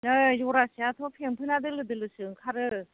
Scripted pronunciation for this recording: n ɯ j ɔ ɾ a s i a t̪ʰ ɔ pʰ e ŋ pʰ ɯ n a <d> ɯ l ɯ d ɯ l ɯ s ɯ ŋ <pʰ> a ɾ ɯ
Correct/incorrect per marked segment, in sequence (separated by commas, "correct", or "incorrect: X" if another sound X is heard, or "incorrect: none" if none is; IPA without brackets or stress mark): correct, incorrect: kʰ